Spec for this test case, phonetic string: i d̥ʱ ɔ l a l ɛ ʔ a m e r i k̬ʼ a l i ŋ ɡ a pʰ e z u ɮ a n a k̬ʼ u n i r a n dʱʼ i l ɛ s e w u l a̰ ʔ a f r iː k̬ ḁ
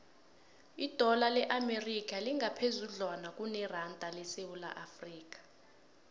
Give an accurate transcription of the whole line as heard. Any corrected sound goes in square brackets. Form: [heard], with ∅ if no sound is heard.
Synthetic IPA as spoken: i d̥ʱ ɔ l a l ɛ ʔ a m e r i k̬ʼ a l i ŋ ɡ a pʰ e z u ɮ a n a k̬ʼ u n [ɛ] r a n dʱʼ [a] l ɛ s e w u l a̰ ʔ a f r iː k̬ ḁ

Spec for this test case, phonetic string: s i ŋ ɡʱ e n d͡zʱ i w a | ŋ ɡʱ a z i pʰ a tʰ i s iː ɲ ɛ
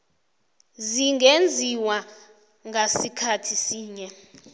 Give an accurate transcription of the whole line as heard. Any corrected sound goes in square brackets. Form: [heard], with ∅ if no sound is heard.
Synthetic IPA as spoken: [z] i ŋ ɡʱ e n d͡zʱ i w a | ŋ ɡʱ a [s] i [kʰ] a tʰ i s iː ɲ ɛ

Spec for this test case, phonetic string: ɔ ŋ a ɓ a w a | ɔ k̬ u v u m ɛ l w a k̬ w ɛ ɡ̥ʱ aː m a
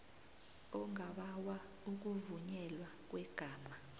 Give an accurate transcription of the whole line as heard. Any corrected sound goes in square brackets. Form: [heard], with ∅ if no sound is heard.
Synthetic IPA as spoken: ɔ ŋ a ɓ a w a | [u] k̬ u v u [ɲ] ɛ l w a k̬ w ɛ ɡ̥ʱ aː m a

